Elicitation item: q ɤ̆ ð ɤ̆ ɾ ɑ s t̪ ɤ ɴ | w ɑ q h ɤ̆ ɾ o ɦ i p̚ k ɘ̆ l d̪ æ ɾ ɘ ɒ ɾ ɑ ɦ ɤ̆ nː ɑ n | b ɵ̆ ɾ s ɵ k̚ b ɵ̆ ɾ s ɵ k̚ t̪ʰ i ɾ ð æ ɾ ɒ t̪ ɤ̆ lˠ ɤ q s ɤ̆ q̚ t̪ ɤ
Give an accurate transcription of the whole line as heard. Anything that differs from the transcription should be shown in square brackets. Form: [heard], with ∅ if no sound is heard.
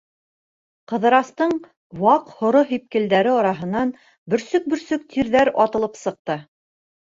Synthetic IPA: q ɤ̆ ð ɤ̆ ɾ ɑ s t̪ ɤ ɴ | w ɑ q h [ŏ] ɾ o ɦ i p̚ k ɘ̆ l d̪ æ ɾ ɘ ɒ ɾ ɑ ɦ ɤ̆ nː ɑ n | b ɵ̆ ɾ s ɵ k̚ b ɵ̆ ɾ s ɵ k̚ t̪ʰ i ɾ ð æ ɾ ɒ t̪ ɤ̆ lˠ ɤ [p] s ɤ̆ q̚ t̪ ɤ